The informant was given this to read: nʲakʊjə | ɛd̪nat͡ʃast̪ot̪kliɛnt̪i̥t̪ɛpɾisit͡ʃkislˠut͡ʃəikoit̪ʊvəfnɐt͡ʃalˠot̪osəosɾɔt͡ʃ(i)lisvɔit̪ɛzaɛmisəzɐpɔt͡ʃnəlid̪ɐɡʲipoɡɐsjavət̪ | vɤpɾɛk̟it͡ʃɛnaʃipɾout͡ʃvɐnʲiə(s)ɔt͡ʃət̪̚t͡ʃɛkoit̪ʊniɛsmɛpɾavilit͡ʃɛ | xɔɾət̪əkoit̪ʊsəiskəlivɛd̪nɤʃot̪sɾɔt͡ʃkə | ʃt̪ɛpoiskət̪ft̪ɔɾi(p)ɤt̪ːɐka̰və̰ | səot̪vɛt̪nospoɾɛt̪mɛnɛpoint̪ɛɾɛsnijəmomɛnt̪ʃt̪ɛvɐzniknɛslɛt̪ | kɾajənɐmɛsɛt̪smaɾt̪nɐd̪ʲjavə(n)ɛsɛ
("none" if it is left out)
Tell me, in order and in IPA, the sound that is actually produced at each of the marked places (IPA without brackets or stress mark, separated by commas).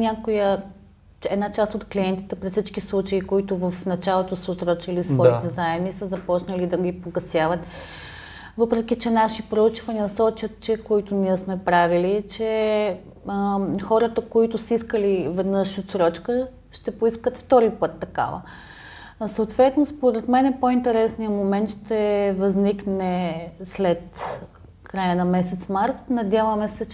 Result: i, s, p, m